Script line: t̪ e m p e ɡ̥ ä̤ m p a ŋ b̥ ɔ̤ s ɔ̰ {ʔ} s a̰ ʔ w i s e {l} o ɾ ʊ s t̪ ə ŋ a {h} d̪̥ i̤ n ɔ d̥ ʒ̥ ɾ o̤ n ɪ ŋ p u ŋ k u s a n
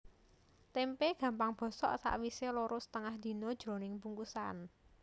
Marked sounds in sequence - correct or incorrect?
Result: correct, correct, correct

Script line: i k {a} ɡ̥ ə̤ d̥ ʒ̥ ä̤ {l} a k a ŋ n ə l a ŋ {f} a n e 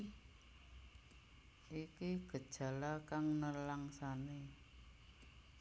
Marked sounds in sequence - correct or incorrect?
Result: incorrect, correct, incorrect

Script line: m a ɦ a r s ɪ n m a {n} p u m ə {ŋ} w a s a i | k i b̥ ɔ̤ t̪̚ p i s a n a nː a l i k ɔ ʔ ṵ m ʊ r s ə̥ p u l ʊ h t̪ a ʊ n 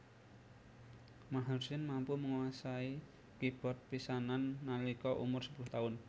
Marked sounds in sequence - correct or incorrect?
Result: incorrect, correct

